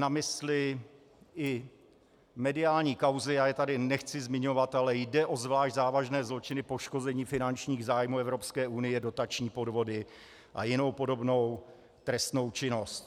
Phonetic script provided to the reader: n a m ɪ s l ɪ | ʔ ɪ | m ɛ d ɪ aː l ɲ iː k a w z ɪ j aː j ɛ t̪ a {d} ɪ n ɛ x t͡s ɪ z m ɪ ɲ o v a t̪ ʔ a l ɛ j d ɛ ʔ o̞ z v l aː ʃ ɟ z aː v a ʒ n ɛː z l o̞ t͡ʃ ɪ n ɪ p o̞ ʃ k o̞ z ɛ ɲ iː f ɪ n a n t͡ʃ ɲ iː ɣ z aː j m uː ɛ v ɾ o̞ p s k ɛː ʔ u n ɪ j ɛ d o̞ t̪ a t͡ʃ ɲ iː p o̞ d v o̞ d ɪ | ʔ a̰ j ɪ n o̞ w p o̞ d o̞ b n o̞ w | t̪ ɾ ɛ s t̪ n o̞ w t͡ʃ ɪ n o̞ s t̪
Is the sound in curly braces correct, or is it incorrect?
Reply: correct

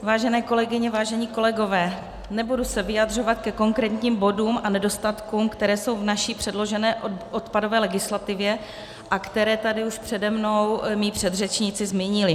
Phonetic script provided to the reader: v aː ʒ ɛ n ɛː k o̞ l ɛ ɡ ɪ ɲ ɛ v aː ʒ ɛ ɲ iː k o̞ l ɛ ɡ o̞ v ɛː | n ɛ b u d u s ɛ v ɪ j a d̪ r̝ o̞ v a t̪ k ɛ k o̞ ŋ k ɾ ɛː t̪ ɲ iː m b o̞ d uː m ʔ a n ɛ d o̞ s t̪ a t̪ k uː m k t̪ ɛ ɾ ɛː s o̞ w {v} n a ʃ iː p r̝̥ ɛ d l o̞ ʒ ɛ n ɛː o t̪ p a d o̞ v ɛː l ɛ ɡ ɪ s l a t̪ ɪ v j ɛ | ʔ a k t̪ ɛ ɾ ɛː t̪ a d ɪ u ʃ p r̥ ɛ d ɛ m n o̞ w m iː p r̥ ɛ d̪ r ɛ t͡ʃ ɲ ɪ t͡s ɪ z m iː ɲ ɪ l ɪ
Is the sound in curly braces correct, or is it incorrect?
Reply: correct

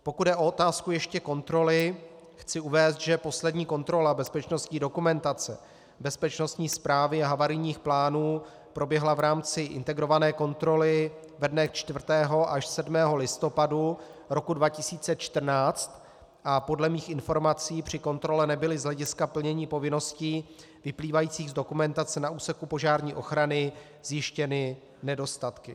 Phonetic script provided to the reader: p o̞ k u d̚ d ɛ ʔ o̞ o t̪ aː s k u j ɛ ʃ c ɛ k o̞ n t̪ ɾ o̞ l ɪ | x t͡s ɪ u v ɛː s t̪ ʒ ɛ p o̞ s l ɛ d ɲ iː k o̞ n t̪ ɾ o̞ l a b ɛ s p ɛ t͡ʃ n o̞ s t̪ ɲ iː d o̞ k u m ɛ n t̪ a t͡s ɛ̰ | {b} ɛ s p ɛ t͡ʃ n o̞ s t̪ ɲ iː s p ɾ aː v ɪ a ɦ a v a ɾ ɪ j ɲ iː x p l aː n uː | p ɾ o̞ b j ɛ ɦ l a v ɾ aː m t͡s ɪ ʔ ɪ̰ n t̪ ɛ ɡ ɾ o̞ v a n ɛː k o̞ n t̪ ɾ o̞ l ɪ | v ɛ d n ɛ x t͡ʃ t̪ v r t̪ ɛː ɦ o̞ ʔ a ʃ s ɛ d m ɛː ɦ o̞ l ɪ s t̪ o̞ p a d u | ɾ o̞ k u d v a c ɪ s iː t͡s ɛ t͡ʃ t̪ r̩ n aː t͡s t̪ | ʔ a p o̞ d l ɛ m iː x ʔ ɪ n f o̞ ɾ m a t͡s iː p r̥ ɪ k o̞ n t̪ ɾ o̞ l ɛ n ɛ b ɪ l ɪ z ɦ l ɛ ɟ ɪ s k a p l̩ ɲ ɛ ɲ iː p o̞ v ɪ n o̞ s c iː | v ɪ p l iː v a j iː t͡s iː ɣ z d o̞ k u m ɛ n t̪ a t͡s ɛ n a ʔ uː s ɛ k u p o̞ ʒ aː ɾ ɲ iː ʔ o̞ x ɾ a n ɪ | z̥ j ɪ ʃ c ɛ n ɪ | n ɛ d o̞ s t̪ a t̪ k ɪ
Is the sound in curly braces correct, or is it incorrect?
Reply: correct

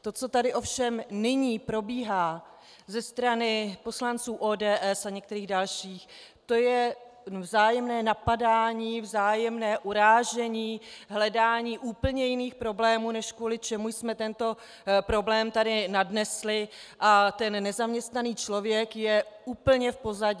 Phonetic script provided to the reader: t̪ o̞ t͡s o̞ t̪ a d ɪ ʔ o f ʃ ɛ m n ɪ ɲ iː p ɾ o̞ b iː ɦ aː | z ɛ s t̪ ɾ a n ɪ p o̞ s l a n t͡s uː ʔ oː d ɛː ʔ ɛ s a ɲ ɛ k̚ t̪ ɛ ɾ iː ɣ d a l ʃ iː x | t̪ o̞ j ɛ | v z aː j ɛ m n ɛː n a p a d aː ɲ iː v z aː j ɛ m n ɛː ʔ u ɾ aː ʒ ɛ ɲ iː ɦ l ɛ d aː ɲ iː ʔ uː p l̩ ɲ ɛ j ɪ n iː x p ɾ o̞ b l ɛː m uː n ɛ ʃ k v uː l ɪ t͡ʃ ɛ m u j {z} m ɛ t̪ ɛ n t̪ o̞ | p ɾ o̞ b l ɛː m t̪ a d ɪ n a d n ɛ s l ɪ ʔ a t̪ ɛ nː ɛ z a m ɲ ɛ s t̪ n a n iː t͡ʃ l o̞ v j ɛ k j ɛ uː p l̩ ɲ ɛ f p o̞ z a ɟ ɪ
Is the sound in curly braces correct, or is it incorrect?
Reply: incorrect: s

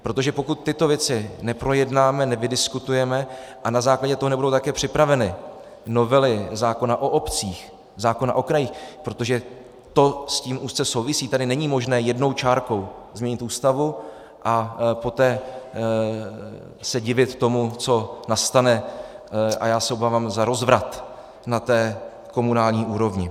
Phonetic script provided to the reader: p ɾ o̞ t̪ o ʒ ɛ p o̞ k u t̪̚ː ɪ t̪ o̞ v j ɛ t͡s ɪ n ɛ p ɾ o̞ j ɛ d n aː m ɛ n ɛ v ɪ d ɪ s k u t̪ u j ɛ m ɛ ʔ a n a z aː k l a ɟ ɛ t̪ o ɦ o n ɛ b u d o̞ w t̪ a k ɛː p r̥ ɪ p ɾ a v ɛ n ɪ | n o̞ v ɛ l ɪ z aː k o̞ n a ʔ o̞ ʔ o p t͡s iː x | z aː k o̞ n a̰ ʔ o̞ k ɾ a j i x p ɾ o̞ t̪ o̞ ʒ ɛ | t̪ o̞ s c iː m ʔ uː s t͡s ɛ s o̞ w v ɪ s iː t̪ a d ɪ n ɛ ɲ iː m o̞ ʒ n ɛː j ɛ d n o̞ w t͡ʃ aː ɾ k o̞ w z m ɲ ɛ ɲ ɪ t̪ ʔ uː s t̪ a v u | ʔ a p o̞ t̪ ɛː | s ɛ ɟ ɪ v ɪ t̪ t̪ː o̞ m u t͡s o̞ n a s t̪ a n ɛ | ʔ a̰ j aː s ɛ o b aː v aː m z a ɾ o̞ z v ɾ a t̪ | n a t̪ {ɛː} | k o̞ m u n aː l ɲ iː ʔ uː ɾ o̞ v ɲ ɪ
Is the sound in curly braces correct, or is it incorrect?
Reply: correct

